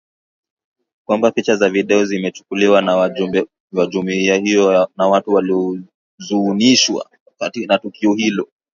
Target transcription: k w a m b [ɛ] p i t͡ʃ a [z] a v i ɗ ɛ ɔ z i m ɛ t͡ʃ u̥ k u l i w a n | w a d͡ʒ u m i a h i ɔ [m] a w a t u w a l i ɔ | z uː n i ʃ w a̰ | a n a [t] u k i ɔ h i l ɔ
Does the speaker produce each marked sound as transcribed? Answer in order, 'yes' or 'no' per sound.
no, yes, no, yes

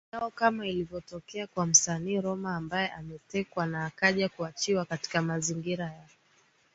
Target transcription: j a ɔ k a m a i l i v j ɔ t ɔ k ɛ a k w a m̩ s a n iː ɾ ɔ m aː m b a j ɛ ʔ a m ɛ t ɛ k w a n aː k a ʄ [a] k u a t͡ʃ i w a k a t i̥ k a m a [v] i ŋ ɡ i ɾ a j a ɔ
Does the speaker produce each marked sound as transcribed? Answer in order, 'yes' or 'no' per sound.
yes, no

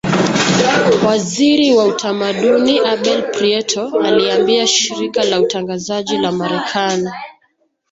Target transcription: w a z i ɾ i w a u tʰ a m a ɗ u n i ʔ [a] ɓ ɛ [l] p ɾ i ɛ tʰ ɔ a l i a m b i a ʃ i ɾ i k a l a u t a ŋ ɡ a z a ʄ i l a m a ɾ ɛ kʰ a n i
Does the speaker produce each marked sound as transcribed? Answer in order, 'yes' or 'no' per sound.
yes, yes

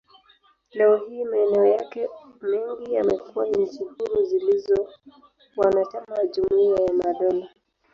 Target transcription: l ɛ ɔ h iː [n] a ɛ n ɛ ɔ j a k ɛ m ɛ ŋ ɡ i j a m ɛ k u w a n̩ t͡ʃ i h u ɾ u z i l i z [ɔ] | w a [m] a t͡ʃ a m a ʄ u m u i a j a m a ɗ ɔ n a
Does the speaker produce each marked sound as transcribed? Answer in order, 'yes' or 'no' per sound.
no, yes, no

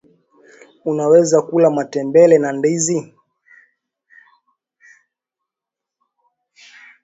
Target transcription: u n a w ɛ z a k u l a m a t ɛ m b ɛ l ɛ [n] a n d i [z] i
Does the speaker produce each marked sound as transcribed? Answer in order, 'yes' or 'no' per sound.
yes, yes

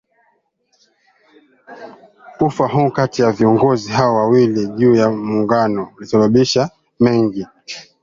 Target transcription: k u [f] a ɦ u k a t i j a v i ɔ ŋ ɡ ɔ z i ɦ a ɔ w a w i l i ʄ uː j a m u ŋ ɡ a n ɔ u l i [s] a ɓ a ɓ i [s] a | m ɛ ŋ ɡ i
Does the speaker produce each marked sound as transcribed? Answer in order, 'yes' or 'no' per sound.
yes, yes, no

